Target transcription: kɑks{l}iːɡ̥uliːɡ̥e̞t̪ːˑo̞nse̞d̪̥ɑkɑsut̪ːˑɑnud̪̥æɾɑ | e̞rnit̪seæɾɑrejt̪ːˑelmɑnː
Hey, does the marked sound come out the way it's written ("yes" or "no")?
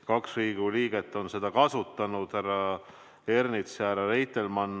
no